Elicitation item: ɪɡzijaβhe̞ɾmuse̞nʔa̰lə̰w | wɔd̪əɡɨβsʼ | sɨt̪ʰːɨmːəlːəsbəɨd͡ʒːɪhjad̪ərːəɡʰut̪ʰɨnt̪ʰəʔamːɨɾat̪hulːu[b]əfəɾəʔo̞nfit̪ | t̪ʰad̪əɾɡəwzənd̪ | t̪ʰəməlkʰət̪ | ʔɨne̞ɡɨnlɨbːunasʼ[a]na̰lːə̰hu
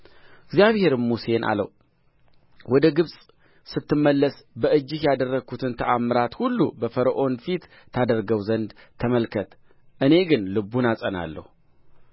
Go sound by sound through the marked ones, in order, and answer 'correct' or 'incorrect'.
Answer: correct, incorrect

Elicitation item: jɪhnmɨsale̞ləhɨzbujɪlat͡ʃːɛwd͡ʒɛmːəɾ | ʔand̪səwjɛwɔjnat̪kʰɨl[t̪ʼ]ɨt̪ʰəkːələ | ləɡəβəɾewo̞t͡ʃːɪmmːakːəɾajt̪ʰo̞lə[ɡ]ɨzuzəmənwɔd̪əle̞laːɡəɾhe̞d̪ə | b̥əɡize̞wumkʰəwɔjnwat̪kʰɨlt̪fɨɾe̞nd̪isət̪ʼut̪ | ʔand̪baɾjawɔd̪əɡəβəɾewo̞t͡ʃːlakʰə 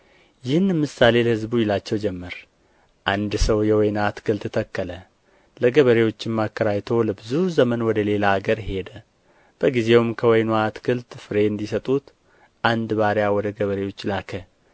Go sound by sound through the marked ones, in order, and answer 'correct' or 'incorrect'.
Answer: incorrect, incorrect

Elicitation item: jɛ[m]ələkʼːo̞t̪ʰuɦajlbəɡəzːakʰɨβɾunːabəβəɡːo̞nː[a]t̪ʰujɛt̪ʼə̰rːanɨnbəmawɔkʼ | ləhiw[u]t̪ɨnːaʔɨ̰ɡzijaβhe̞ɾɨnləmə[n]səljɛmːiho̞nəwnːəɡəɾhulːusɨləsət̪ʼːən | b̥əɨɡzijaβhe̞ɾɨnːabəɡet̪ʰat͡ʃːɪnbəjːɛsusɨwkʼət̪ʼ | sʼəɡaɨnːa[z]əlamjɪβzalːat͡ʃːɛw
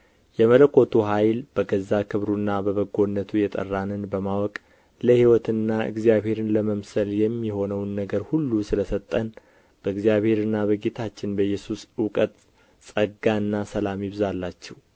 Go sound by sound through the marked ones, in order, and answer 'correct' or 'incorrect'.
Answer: correct, incorrect, incorrect, incorrect, incorrect

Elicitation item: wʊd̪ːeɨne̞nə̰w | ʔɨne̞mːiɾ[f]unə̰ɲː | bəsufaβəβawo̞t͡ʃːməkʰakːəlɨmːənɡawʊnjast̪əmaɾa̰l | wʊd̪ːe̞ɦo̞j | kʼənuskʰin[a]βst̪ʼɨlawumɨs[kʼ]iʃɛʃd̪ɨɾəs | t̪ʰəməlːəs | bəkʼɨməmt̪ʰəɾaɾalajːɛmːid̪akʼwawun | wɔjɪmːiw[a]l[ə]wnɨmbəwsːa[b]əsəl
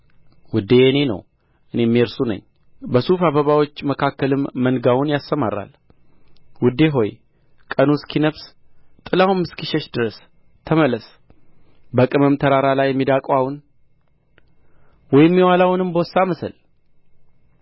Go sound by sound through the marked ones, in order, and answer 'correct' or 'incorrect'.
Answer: incorrect, incorrect, incorrect, correct, incorrect, incorrect

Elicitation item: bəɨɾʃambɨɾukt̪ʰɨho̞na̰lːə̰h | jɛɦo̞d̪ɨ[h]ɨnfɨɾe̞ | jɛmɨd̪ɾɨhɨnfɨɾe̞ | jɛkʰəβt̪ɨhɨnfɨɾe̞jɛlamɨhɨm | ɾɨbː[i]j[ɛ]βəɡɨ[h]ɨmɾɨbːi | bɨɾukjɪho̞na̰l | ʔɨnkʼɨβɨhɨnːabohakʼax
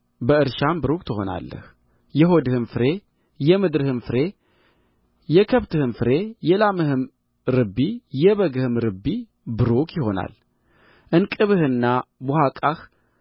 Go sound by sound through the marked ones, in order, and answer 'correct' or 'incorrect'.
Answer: correct, correct, correct, correct

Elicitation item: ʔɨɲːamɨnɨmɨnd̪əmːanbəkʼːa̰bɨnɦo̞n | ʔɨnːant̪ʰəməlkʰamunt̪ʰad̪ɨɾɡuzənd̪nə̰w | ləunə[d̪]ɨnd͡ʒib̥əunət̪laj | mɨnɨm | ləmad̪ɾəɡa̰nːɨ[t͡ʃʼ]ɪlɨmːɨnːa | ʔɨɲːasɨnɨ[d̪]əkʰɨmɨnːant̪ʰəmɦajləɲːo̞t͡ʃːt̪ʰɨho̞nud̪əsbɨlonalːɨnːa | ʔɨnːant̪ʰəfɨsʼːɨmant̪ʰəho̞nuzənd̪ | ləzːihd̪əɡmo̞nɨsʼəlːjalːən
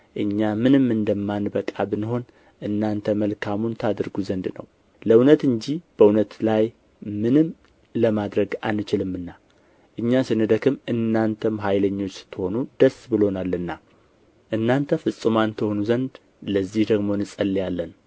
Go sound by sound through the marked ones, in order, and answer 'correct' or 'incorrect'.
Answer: incorrect, incorrect, correct

